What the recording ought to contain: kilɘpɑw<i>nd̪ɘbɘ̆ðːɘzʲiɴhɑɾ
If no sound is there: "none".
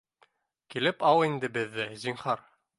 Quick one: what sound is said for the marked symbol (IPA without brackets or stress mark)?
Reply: i